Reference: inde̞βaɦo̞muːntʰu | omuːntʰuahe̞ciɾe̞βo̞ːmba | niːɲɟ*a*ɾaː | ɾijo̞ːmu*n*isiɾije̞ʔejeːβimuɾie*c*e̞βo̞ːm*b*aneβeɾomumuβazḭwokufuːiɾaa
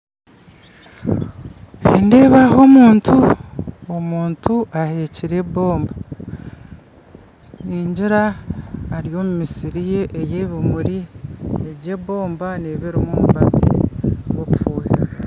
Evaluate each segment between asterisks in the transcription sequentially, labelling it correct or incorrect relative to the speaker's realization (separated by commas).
incorrect, incorrect, incorrect, correct